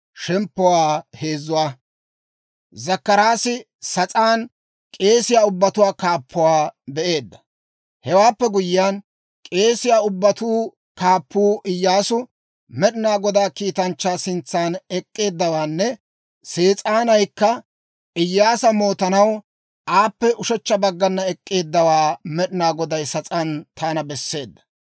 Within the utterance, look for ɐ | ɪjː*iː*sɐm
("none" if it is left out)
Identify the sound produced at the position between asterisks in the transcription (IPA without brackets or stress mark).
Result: aː